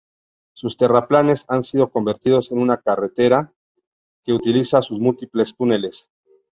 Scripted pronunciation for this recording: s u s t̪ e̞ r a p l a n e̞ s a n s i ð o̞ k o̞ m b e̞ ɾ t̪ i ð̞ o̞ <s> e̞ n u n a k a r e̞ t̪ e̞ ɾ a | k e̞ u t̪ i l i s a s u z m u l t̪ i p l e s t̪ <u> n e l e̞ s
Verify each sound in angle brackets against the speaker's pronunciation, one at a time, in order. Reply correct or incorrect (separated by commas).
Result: correct, correct